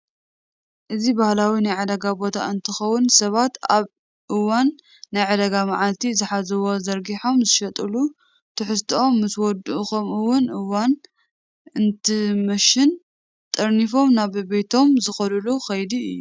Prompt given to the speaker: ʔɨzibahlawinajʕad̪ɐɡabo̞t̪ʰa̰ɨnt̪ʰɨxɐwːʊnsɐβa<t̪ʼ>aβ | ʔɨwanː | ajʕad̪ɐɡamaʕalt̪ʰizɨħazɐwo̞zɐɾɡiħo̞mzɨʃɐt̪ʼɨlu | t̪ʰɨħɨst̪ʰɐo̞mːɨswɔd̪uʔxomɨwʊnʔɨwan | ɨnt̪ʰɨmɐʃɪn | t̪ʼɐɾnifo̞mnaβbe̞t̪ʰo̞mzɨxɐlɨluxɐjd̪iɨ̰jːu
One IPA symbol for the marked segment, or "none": t̪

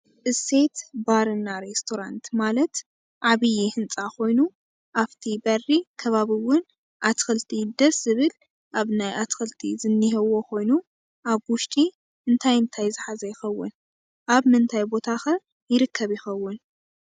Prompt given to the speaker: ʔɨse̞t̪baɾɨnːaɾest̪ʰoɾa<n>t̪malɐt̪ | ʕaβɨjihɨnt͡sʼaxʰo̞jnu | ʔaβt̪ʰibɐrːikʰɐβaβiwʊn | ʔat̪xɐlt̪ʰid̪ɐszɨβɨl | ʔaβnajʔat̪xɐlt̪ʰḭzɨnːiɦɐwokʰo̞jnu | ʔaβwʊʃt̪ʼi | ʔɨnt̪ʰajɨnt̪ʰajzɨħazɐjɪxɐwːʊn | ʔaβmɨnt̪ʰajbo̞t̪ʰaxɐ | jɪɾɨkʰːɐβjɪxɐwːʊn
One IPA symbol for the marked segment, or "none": n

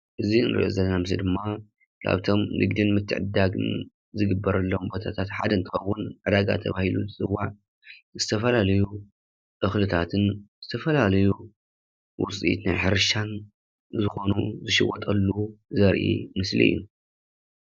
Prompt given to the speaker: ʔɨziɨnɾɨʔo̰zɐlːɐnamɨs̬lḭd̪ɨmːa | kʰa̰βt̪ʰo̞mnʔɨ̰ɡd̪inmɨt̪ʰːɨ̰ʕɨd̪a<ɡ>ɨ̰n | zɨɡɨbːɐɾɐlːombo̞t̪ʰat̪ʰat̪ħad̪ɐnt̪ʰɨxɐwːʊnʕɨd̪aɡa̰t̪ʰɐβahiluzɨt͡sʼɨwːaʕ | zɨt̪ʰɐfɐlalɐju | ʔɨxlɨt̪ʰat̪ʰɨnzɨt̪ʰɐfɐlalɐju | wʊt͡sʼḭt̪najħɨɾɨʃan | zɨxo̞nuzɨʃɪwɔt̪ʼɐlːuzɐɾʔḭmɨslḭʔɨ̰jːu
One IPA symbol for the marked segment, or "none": ɡ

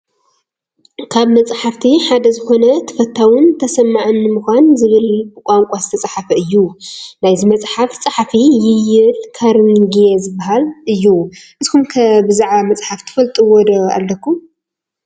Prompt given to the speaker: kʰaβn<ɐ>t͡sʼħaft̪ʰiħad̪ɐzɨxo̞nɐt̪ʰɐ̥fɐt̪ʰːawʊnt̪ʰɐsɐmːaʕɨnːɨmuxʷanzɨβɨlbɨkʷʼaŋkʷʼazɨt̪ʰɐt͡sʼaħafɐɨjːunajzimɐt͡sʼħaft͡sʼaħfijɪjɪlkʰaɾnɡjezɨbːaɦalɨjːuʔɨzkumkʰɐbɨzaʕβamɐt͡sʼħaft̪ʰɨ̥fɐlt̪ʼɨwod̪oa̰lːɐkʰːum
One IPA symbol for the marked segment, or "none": ɐ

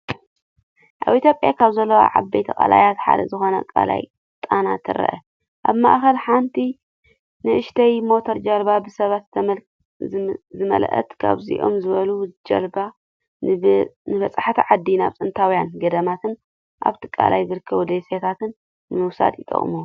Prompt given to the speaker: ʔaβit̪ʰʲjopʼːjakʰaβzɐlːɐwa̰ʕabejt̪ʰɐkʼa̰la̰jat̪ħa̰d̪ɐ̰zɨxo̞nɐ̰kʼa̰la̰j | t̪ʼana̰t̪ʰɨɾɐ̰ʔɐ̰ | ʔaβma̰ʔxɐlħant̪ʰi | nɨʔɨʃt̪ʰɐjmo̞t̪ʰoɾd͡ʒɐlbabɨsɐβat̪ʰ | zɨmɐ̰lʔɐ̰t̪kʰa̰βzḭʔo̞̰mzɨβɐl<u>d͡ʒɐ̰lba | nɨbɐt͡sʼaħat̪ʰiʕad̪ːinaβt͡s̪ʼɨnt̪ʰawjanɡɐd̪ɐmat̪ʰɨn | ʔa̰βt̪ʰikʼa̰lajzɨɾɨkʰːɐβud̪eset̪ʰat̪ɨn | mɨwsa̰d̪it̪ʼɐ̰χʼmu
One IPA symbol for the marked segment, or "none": u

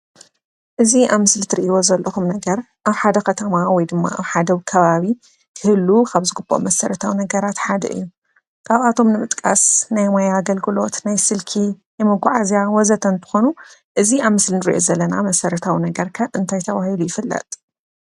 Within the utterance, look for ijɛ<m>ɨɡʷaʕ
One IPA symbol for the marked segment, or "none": m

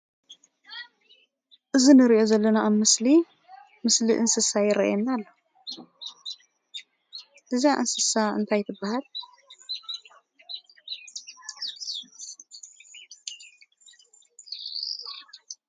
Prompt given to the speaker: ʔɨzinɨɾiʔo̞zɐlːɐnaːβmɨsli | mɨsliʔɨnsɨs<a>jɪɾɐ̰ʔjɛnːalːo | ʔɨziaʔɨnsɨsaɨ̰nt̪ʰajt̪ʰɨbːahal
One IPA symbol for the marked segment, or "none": a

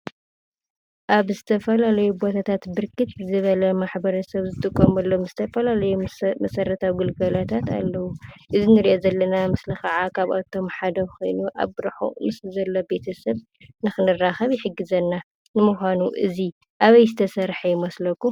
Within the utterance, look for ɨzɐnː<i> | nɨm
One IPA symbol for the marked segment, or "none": a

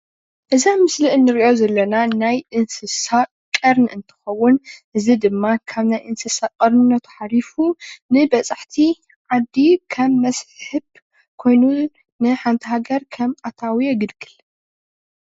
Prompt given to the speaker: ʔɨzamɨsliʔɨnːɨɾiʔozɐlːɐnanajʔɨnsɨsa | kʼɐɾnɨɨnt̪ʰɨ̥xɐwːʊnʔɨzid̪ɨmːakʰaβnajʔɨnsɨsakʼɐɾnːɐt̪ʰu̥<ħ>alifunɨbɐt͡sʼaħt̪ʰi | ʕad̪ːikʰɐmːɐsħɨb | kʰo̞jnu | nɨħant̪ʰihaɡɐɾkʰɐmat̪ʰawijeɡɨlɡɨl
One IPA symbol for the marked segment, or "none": ħ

